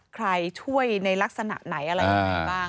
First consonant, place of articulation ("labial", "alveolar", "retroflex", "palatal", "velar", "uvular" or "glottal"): velar